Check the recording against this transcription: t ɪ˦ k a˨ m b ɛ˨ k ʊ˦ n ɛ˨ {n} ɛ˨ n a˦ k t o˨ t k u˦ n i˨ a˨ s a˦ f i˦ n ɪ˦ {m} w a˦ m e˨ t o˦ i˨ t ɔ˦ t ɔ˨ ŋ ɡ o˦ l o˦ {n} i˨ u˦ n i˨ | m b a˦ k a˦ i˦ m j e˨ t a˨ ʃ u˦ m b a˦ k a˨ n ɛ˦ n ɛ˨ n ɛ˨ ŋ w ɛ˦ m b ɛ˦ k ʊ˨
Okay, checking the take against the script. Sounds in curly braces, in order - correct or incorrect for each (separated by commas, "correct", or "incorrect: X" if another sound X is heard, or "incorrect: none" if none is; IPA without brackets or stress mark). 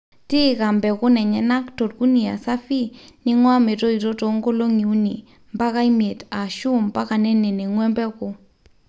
incorrect: ɲ, incorrect: ŋ, incorrect: ŋ